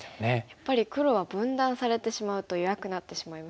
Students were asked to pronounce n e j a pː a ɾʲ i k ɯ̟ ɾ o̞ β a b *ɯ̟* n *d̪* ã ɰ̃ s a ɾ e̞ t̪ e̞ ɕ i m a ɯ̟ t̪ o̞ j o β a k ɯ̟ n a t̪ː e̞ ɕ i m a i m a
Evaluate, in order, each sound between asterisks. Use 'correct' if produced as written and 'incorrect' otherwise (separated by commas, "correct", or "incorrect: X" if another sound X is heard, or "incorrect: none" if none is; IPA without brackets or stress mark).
incorrect: ɯ̟̃, correct